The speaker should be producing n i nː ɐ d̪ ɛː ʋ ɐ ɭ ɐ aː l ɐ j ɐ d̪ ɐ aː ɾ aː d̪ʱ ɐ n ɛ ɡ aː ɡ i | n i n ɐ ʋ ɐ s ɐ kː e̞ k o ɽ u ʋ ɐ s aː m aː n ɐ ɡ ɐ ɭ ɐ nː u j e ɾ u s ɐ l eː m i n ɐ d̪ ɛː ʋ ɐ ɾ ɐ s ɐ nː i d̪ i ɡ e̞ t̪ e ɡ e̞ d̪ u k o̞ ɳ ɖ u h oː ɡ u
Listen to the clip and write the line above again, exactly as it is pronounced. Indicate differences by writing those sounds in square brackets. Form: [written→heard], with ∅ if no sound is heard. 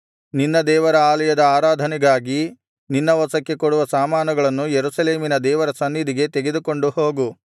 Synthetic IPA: n i nː ɐ d̪ ɛː ʋ ɐ [ɭ→ɾ] ɐ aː l ɐ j ɐ d̪ ɐ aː ɾ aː d̪ʱ ɐ n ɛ ɡ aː ɡ i | n i [n→nː] ɐ ʋ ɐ s ɐ kː e̞ k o ɽ u ʋ ɐ s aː m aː n ɐ ɡ ɐ ɭ ɐ nː u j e ɾ u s ɐ l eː m i n ɐ d̪ ɛː ʋ ɐ ɾ ɐ s ɐ nː i d̪ i ɡ e̞ t̪ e ɡ e̞ d̪ u k o̞ ɳ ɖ u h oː ɡ u